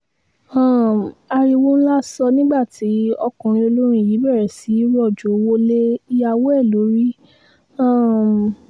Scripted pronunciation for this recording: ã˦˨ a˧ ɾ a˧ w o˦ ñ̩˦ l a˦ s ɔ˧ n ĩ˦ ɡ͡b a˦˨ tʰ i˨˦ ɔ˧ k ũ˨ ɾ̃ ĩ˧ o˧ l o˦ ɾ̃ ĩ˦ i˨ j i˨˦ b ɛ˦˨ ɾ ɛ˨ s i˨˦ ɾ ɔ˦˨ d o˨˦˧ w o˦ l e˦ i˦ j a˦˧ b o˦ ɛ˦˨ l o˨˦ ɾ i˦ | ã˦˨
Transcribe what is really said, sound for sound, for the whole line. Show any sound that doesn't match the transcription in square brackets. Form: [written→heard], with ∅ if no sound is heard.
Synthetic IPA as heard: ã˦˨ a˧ ɾ [a˧→i˧] w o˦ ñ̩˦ l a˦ s ɔ˧ n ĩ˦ ɡ͡b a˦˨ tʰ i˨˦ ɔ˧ k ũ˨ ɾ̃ ĩ˧ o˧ l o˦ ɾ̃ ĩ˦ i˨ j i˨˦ b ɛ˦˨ ɾ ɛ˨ s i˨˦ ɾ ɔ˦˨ [d→d͡ʒ] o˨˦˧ w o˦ l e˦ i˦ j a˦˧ [b→w] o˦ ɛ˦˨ l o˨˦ ɾ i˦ | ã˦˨